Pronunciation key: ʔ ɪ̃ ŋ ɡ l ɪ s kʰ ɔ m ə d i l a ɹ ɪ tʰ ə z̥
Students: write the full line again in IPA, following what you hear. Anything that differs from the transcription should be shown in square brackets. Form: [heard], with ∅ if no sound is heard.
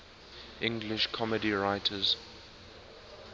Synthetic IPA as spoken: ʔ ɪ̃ ŋ ɡ l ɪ [ʃ] kʰ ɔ m ə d i [ɹ] a [∅] ɪ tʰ ə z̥